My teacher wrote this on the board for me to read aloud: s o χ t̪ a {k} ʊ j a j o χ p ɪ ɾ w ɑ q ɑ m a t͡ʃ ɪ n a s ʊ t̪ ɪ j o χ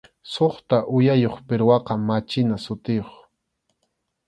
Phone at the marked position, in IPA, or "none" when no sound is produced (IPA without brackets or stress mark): ʔ